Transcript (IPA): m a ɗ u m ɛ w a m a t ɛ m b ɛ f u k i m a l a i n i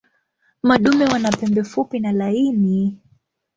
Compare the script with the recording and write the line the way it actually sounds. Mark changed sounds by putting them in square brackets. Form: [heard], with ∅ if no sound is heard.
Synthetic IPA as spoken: m a ɗ u m ɛ w a [n] a [p] ɛ m b ɛ f u [p] i [n] a l a i n i